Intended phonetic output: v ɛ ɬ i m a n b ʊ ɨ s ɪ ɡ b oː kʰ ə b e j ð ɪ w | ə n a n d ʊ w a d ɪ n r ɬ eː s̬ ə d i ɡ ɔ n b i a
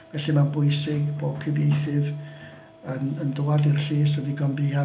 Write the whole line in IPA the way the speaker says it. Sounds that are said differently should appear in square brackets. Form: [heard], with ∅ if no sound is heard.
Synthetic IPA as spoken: v ɛ ɬ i m a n b ʊ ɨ s ɪ ɡ b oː kʰ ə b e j [θ] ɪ [v] | ə n [ə] n d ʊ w a d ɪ [∅] r ɬ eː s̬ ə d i ɡ ɔ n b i a